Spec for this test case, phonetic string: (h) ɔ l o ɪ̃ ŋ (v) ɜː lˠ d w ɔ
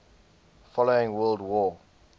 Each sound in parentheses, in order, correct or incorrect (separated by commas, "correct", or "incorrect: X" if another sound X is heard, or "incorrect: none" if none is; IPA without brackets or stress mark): incorrect: f, incorrect: w